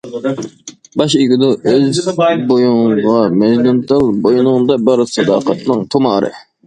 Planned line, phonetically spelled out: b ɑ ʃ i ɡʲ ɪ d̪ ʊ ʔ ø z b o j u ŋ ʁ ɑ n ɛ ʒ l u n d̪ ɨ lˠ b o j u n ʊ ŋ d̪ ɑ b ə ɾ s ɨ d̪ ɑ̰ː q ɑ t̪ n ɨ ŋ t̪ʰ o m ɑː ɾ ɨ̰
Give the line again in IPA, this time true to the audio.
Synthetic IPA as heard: b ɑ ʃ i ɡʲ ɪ d̪ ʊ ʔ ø z b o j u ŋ ʁ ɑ m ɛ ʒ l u n t̪ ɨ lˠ b o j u n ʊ ŋ d̪ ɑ b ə ɾ s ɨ d̪ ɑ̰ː q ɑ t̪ n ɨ ŋ t̪ʰ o m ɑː ɾ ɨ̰